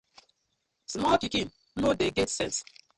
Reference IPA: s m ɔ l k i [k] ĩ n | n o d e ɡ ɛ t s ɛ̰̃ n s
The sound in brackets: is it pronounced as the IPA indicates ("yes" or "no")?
yes